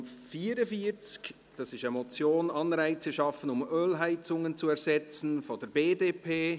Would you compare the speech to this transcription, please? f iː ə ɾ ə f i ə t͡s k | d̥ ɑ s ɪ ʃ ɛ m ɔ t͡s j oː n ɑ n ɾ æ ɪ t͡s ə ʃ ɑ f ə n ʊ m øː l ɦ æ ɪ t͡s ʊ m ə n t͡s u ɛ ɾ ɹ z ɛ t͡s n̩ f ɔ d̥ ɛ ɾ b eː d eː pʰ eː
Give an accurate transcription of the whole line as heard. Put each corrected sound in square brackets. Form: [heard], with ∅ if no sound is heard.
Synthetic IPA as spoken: f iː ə ɾ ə f i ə t͡s k | d̥ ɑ s ɪ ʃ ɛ m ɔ t͡s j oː n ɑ n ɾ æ ɪ t͡s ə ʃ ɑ f ə n ʊ m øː l ɦ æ ɪ t͡s ʊ [ŋ] ə n t͡s u ɛ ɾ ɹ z ɛ t͡s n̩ f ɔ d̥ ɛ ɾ b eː d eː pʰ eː